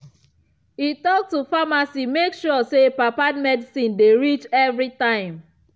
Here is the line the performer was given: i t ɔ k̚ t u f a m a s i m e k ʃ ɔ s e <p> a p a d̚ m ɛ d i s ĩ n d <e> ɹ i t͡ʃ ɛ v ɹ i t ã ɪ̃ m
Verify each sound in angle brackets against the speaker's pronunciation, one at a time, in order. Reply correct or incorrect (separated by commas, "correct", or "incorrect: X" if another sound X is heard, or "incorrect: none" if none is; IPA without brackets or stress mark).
correct, correct